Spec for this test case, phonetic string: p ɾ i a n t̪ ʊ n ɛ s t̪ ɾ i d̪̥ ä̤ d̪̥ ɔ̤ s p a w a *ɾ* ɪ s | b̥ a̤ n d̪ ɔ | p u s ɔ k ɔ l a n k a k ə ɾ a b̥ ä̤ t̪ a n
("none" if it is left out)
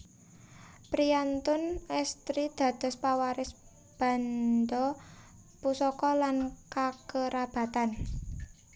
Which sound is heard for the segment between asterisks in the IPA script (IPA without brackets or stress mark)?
ɾ